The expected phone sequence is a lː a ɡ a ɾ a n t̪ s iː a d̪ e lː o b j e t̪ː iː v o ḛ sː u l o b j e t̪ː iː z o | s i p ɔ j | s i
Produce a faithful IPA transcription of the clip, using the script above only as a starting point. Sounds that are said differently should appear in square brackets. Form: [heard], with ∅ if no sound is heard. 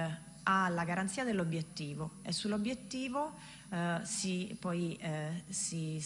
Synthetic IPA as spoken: a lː a ɡ a ɾ a n t̪ s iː a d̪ e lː o b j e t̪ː iː v o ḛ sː u l o b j e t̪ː iː [v] o | s i p ɔ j | s i

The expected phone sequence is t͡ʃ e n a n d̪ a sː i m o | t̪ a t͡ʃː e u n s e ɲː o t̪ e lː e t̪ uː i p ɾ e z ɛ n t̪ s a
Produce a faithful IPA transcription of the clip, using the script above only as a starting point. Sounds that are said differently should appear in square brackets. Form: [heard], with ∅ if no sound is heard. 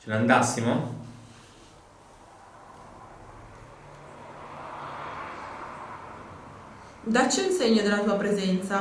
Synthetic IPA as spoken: t͡ʃ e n a n d̪ a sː i m o | [d̪] a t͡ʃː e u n s e ɲː o [d̪] e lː [a] t̪ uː [a] p ɾ e z ɛ n t̪ s a

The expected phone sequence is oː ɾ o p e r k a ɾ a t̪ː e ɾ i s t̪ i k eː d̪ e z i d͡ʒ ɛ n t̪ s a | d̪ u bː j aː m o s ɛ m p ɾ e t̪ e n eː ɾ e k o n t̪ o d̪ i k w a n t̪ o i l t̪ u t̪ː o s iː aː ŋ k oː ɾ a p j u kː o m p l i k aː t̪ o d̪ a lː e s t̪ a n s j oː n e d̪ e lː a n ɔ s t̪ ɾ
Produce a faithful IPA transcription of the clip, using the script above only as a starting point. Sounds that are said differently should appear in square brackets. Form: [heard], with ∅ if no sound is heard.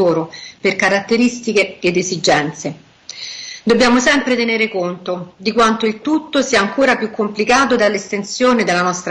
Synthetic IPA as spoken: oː ɾ o p e r k a ɾ a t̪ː e ɾ i s t̪ i k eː d̪ e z i d͡ʒ ɛ n t̪ s [e] | d̪ [o] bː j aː m o s ɛ m p ɾ e t̪ e n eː ɾ e k o n t̪ o d̪ i k w a n t̪ o i l t̪ u t̪ː o s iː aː ŋ k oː ɾ a p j u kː o m p l i k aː t̪ o d̪ a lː e s t̪ [e] n s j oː n e d̪ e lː a n ɔ s t̪ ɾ

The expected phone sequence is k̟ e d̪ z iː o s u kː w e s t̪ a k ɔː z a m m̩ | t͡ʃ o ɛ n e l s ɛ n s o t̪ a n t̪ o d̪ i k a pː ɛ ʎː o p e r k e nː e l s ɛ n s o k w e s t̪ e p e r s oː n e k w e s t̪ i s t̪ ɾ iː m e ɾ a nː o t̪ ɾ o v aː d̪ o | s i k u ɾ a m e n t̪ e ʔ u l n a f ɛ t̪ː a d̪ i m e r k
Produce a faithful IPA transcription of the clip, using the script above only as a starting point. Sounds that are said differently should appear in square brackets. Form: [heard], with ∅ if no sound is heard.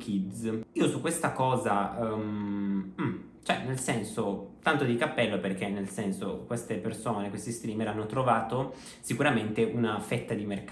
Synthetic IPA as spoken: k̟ [i] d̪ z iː o s u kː w e s t̪ a k ɔː z a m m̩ | t͡ʃ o ɛ n e l s ɛ n s o t̪ a n t̪ o d̪ i k a pː ɛ [lː] o p e r k e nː e l s ɛ n s o k w e s t̪ e p e r s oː n e k w e s t̪ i s t̪ ɾ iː m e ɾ a nː o t̪ ɾ o v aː [t̪] o | s i k u ɾ a m e n t̪ e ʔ u [∅] n a f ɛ t̪ː a d̪ i m e r k

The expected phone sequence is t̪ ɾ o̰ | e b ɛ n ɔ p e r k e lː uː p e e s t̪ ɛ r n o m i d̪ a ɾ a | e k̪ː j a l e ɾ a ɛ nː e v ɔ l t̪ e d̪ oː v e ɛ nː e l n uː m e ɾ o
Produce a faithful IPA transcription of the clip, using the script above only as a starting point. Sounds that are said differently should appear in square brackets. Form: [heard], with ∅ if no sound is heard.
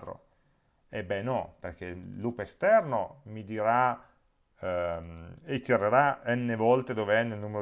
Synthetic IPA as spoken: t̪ ɾ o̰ | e b ɛ n ɔ p e r k e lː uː p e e s t̪ ɛ r n o m i d̪ [i] ɾ a | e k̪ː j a [ɾ] e ɾ a ɛ nː e v ɔ l t̪ e d̪ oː v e ɛ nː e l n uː m e ɾ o

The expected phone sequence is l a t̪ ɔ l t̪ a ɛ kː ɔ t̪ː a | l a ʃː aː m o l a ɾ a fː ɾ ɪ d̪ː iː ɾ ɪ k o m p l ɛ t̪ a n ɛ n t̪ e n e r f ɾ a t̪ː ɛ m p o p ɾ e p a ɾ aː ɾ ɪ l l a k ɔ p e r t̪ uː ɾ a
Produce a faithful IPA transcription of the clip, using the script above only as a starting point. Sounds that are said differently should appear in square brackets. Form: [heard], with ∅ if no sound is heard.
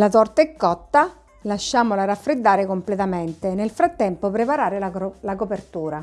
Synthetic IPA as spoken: l a t̪ ɔ [r] t̪ a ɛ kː ɔ t̪ː a | l a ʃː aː m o l a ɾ a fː ɾ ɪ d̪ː [aː] ɾ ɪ k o m p l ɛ t̪ a [m] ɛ n t̪ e n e [l] f ɾ a t̪ː ɛ m p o p ɾ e p a ɾ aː ɾ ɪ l l a k [o] p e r t̪ uː ɾ a

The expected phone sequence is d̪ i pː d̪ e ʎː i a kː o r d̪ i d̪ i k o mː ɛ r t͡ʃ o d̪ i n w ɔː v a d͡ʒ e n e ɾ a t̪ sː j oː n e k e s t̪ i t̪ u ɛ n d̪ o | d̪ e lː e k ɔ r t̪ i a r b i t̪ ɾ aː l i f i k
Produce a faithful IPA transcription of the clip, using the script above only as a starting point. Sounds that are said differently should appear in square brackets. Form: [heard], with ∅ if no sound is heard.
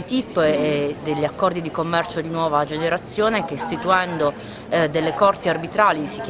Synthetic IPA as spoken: [t̪] i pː d̪ e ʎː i a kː [ɔ] r d̪ i d̪ i k o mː ɛ r t͡ʃ o d̪ i n w ɔː v a d͡ʒ e n e ɾ a t̪ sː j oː n e k e s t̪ i t̪ u ɛ n d̪ o | d̪ e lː e k ɔ r t̪ i a r b i t̪ ɾ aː l i [s] i k

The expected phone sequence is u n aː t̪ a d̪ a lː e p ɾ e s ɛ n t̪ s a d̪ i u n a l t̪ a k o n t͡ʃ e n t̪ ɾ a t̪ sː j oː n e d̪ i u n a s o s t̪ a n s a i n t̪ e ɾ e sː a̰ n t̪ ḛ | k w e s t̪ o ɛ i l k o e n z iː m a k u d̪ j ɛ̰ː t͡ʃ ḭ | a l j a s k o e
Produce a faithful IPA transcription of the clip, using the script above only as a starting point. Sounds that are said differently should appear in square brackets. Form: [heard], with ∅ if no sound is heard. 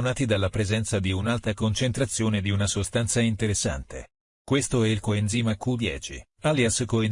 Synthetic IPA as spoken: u n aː t̪ [i] d̪ a lː [a] p ɾ e [z] ɛ n t̪ s a d̪ i u n a l t̪ a k o n t͡ʃ e n t̪ ɾ a t̪ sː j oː n e d̪ i u n a s o s t̪ a n s a i n t̪ e ɾ e sː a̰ n t̪ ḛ | k w e s t̪ o ɛ i l k o e n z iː m a k u d̪ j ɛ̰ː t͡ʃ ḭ | a l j a s k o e

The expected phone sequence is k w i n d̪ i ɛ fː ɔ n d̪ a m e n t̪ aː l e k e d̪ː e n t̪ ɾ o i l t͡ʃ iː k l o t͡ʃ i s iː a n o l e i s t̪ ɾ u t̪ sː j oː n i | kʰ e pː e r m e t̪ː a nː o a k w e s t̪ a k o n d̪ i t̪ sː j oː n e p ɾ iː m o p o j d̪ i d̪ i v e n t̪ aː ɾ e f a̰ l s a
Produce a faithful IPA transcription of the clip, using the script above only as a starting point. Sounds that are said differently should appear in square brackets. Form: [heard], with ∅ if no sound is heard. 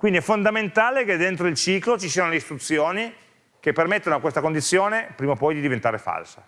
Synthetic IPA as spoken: k w i n d̪ i ɛ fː [o] n d̪ a m e n t̪ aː l e k e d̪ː e n t̪ ɾ o i l t͡ʃ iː k l o t͡ʃ i s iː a n o l e i s t̪ ɾ u t̪ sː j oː n i | [k] e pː e r m e t̪ː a [n] o a k w e s t̪ a k o n d̪ i t̪ sː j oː n e p ɾ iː m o p [ɔ] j d̪ i d̪ i v e n t̪ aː ɾ e f a̰ l s a

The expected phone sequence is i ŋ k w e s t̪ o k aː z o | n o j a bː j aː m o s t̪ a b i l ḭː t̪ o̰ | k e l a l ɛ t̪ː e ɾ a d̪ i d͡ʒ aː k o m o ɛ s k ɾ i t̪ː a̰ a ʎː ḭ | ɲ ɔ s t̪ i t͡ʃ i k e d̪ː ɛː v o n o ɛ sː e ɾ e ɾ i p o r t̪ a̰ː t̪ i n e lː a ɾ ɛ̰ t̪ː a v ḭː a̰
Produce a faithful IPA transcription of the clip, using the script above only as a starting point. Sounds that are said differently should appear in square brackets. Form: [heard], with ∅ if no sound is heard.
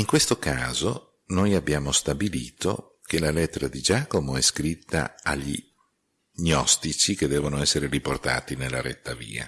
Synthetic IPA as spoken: i ŋ k w e s t̪ o k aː z o | n o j a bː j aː m o s t̪ a b i l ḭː t̪ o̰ | k e l a l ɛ t̪ː e ɾ a d̪ i d͡ʒ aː k o m o ɛ s k ɾ i t̪ː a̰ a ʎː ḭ | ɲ ɔ s t̪ i t͡ʃ i k e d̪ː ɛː v o n o ɛ sː e ɾ e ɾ i p o r t̪ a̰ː t̪ i n e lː a ɾ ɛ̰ t̪ː a v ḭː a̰

